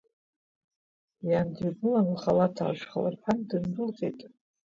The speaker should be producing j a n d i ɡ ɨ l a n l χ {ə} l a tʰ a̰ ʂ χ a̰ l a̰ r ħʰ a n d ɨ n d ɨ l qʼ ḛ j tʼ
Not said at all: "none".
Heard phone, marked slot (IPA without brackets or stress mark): a